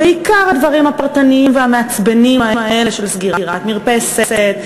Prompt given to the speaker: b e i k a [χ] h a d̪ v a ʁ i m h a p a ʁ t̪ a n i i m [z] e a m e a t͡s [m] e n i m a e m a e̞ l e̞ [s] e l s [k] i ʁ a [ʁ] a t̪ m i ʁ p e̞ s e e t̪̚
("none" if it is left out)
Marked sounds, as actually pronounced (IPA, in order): ʁ, v, b, ʃ, ɡ, ʁ

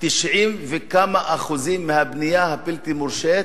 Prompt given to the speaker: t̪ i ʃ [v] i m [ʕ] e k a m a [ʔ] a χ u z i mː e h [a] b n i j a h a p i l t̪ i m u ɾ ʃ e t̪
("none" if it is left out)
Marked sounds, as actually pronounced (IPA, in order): ʕ, v, ʔ, a

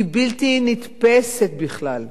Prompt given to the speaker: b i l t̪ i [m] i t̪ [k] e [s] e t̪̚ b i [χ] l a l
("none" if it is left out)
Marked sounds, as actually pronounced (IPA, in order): n, p, s, χ

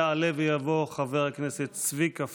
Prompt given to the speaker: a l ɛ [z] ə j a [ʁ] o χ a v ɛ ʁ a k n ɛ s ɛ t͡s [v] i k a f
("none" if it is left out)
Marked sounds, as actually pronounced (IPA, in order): v, v, v

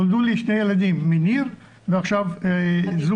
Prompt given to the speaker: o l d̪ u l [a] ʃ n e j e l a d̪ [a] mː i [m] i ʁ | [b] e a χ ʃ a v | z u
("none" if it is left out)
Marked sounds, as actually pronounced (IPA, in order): i, i, n, v

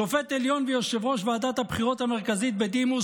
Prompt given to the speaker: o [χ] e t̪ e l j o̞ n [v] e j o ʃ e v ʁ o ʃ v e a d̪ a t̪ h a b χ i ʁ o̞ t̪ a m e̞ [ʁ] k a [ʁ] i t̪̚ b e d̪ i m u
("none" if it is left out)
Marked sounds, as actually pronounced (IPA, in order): f, v, ʁ, z

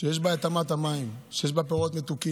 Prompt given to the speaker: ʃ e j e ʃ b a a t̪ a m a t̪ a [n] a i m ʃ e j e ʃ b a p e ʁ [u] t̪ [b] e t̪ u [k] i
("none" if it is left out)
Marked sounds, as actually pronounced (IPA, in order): m, o, m, k

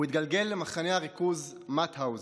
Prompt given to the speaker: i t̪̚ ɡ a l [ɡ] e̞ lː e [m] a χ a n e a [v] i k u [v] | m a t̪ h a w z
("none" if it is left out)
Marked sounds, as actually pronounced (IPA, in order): ɡ, m, ʁ, z

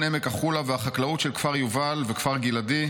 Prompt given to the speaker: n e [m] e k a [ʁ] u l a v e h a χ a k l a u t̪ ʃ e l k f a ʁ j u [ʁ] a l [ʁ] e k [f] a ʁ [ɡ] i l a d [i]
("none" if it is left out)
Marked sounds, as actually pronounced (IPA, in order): m, χ, v, v, f, ɡ, i

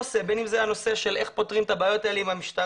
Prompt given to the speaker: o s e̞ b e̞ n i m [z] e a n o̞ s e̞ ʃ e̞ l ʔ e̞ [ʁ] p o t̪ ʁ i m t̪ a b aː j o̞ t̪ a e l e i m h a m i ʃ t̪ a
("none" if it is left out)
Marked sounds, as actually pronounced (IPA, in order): z, χ

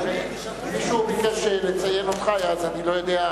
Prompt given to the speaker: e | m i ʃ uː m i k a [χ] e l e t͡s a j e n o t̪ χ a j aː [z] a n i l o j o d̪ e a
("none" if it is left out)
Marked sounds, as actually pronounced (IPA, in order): ʃ, z

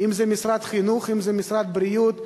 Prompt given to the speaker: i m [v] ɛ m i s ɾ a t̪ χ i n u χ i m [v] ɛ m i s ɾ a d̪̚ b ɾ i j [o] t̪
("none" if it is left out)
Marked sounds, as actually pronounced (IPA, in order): z, z, u

